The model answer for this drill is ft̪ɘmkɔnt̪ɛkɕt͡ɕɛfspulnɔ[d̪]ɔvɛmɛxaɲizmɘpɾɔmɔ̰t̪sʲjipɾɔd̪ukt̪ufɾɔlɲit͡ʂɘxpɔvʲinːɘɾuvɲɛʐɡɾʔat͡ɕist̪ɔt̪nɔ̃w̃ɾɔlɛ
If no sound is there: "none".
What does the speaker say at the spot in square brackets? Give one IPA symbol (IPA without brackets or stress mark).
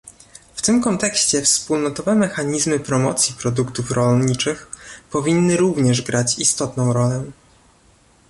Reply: t̪